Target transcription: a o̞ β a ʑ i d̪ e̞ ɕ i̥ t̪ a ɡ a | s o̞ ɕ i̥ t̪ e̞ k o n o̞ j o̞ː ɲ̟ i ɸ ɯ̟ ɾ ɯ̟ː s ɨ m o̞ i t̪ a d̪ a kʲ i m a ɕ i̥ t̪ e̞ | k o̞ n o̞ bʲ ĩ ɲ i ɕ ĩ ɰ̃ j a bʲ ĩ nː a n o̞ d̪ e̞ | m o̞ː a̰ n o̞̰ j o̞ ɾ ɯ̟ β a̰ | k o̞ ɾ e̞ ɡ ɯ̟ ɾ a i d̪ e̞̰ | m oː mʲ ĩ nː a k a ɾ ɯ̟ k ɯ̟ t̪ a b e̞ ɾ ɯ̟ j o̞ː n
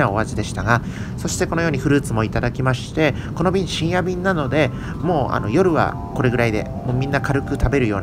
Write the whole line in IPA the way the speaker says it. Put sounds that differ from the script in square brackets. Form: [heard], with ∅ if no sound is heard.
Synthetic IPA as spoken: a o̞ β a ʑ i d̪ e̞ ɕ i̥ t̪ a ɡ a | s o̞ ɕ i̥ t̪ e̞ k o n o̞ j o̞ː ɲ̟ i ɸ ɯ̟ ɾ ɯ̟ː [t͡s] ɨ m o̞ i t̪ a d̪ a kʲ i m a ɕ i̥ t̪ e̞ | k o̞ n o̞ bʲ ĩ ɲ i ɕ ĩ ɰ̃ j a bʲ ĩ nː a n o̞ d̪ e̞ | m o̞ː a̰ n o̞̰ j o̞ ɾ ɯ̟ β a̰ | k o̞ ɾ e̞ ɡ ɯ̟ ɾ a i d̪ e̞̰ | m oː mʲ ĩ nː a k a ɾ ɯ̟ k ɯ̟ t̪ a b e̞ ɾ ɯ̟ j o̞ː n